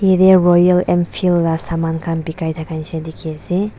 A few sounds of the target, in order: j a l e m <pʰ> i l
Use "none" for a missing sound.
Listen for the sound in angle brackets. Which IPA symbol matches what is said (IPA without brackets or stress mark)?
pʰ